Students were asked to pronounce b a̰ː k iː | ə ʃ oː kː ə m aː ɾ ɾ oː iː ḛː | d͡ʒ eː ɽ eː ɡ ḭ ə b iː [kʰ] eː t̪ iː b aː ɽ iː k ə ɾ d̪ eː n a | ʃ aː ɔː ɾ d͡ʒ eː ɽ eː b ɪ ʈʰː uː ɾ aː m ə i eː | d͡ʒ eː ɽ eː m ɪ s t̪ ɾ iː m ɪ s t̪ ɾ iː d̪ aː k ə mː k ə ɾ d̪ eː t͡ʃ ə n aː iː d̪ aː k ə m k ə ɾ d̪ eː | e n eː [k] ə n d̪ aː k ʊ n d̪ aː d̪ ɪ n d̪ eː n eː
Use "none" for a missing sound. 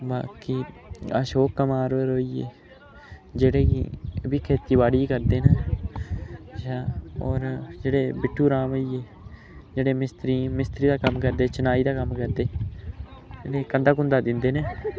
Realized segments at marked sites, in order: kʰ, k

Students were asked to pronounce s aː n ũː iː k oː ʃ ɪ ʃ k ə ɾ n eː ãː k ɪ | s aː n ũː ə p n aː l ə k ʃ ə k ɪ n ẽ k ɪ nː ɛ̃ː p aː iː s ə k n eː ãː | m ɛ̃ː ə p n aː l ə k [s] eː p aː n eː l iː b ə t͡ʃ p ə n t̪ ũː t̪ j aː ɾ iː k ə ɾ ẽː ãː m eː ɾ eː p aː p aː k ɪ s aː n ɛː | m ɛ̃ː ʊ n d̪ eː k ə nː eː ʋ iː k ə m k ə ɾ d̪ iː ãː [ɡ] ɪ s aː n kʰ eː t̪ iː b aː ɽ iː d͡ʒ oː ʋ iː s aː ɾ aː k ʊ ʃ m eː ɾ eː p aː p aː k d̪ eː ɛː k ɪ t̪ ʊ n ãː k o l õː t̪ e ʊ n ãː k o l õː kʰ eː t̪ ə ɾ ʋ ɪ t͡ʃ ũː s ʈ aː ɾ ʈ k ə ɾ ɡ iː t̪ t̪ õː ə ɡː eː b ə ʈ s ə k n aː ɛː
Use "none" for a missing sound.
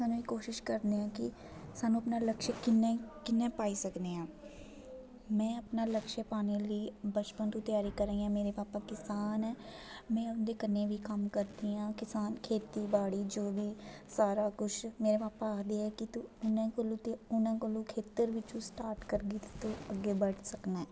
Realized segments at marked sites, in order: ʃ, k

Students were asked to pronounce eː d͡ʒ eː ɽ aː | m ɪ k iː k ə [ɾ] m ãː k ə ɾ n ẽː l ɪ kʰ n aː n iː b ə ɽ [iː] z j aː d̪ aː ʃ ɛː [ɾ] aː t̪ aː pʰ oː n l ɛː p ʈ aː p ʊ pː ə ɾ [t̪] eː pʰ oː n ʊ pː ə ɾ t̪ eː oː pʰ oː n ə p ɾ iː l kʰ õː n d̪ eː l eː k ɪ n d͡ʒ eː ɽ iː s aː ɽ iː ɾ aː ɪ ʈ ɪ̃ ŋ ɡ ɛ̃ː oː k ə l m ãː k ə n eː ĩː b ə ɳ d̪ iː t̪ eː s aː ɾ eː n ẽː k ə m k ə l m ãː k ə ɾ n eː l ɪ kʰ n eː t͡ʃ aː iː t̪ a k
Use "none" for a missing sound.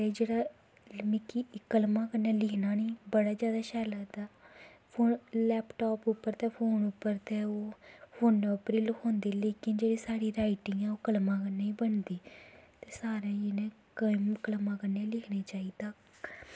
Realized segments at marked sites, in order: l, aː, l, t̪

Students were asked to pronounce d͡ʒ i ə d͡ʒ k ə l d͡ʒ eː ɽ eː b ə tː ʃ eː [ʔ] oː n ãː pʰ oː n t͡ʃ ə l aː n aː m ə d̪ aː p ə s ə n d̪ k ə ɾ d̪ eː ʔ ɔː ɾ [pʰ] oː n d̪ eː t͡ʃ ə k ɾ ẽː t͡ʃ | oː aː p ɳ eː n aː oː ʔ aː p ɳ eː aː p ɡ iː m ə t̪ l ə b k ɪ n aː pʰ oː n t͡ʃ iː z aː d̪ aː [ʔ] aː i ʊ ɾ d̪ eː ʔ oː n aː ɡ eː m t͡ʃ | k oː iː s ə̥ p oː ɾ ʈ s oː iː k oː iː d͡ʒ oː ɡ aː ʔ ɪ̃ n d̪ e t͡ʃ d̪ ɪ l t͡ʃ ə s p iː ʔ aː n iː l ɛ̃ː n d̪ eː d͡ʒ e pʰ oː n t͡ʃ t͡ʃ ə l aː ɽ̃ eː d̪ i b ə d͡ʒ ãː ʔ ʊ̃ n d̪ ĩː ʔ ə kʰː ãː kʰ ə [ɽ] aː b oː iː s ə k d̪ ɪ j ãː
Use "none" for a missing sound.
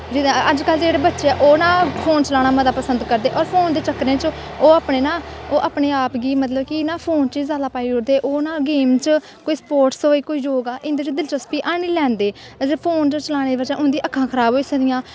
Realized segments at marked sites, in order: ʔ, pʰ, p, ɾ

